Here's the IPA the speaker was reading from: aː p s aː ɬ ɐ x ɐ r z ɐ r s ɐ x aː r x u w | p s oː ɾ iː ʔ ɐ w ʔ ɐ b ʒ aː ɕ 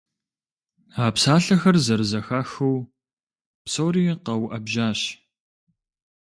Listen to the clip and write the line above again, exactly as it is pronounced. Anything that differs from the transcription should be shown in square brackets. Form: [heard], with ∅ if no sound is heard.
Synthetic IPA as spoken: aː p s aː ɬ ɐ x ɐ r z ɐ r [z] ɐ x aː [∅] x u w | p s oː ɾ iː [q] ɐ w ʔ ɐ b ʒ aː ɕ